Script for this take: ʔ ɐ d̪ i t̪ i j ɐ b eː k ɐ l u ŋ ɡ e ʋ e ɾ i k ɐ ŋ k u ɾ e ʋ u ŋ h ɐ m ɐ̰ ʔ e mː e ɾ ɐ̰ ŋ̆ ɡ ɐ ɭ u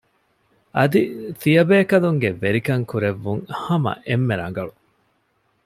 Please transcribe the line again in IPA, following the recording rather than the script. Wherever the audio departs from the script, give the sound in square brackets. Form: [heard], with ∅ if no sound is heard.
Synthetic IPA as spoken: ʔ ɐ d̪ i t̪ i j ɐ b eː k ɐ l u ŋ ɡ e ʋ e ɾ i k ɐ ŋ k u ɾ e [ʋː] u ŋ h ɐ m ɐ̰ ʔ e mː e ɾ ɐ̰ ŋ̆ ɡ ɐ ɭ u